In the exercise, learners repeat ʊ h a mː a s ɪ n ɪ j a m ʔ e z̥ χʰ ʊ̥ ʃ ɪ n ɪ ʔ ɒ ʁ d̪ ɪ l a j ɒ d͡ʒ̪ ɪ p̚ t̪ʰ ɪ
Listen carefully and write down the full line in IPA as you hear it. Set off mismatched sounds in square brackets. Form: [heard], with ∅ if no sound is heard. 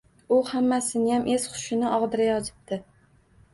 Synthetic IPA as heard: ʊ h a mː a s ɪ n ɪ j a m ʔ e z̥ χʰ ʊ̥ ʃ ɪ n ɪ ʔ ɒ ʁ d̪ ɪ [ɾ] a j ɒ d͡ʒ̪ ɪ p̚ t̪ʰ ɪ